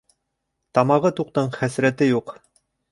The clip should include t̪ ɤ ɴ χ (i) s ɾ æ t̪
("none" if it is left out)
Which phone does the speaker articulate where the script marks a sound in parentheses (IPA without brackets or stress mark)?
æ